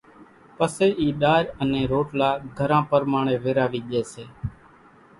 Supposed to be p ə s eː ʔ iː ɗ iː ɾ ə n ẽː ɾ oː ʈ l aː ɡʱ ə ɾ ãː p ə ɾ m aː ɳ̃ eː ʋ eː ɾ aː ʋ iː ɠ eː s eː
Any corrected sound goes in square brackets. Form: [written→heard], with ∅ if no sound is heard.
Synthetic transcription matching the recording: p ə s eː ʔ iː ɗ [iː→aː] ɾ ə n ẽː ɾ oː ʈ l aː ɡʱ ə ɾ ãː p ə ɾ m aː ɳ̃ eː ʋ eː ɾ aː ʋ iː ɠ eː s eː